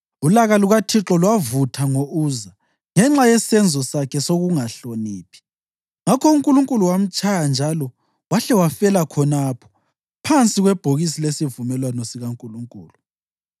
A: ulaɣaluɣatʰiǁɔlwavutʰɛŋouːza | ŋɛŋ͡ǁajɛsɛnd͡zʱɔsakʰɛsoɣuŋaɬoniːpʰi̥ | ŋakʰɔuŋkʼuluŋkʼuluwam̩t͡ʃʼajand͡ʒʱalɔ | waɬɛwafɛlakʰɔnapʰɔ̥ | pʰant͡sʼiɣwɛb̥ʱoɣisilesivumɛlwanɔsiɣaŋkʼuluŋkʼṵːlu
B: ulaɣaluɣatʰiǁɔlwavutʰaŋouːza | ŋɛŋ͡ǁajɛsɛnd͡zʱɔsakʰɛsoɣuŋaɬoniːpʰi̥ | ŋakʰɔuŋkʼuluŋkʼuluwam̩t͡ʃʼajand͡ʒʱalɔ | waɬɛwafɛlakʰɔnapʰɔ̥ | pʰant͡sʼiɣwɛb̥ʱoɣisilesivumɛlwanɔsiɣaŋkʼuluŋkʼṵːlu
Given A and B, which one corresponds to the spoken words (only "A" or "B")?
B